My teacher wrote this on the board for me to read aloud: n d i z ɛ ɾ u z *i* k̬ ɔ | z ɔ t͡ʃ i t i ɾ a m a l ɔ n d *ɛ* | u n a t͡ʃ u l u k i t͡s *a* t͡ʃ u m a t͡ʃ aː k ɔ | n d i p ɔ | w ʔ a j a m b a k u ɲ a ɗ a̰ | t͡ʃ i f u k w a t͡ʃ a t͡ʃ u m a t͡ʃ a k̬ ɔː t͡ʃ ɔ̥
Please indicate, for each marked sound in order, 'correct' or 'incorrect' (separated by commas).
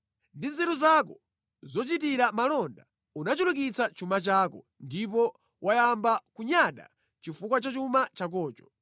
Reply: incorrect, incorrect, correct